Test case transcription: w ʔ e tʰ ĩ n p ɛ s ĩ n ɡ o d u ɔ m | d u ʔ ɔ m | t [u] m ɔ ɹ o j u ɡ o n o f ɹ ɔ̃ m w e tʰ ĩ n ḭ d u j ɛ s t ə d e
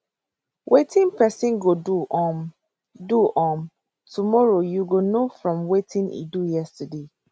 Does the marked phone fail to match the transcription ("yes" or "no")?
no